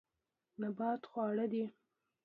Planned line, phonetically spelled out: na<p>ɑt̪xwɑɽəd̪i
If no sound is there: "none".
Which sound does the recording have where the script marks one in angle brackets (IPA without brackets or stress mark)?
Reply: b